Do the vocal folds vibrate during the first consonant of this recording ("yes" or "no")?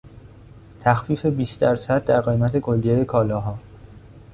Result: no